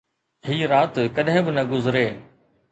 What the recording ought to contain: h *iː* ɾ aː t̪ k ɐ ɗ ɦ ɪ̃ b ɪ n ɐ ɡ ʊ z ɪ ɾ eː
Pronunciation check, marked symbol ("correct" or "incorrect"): correct